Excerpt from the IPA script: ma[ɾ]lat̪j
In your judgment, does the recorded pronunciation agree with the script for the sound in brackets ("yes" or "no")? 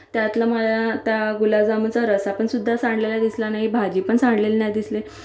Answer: no